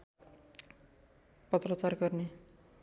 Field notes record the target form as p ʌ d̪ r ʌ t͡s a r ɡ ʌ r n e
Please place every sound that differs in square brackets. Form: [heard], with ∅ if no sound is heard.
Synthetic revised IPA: p ʌ [t̪] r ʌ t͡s a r ɡ ʌ r n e